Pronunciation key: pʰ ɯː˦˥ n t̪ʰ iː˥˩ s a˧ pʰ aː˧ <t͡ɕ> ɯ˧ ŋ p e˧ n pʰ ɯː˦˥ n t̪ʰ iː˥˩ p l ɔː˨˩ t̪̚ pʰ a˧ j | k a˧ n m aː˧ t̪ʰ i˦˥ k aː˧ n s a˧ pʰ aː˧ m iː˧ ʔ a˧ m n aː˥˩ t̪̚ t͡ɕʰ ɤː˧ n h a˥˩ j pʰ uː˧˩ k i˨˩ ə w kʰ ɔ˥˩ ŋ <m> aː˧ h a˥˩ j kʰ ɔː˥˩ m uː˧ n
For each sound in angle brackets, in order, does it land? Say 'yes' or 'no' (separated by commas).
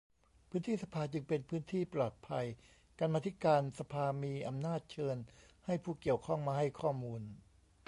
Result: yes, yes